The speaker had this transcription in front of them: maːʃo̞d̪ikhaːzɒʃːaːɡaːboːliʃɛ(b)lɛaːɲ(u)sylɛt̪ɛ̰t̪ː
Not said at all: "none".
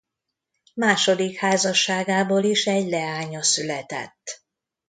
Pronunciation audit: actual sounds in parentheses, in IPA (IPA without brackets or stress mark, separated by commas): ɟ, ɒ